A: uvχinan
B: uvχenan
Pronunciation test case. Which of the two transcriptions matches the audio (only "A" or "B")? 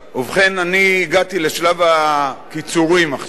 B